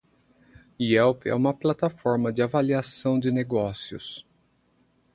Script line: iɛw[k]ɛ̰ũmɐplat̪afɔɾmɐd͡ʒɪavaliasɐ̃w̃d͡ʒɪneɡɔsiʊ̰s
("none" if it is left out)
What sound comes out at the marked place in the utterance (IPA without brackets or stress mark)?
p